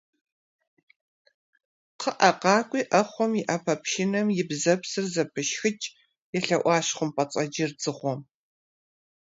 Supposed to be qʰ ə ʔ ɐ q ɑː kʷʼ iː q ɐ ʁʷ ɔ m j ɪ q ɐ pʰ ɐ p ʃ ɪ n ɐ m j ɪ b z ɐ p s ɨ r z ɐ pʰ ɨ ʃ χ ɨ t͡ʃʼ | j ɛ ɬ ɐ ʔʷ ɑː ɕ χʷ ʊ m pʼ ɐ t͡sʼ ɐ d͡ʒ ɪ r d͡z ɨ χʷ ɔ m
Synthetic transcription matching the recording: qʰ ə ʔ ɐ q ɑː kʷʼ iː ʔ ɐ χʷ ɔ m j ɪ ʔ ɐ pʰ ɐ p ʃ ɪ n ɐ m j ɪ b z ɐ p s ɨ r z ɐ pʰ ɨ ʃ x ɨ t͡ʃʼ | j ɛ ɬ ɐ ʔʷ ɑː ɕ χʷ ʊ m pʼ ɐ t͡sʼ ɐ d͡ʒ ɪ r d͡z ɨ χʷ ɔ m